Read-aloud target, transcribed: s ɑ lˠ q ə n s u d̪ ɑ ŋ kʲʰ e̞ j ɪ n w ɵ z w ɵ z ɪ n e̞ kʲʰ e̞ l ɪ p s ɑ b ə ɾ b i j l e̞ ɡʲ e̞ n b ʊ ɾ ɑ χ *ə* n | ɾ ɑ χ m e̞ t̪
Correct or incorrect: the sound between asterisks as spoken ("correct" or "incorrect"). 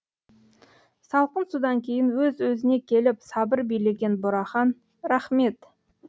incorrect